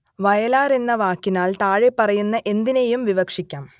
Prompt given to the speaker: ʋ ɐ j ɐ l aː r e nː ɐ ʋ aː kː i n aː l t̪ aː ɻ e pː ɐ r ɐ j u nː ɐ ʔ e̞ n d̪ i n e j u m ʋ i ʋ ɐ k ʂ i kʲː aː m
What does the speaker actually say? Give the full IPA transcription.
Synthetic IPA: ʋ ɐ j ɐ l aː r e nː ɐ ʋ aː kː i n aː l t̪ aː ɻ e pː ɐ r ɐ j u nː ɐ ʔ e̞ n d̪ i n e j u m ʋ i ʋ ɐ k ʂ i kʲː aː m